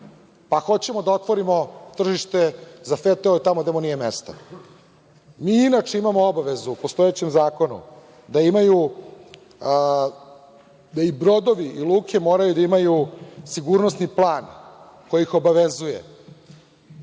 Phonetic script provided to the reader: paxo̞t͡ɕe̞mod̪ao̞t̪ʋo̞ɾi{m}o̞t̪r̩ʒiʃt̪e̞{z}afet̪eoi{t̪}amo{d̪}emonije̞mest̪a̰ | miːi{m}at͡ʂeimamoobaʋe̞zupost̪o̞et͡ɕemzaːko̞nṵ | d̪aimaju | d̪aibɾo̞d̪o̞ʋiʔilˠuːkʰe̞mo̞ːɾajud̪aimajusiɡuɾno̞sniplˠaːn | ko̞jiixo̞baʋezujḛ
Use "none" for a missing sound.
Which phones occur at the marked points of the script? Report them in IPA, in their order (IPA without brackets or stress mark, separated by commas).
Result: m, z, t̪, d̪, n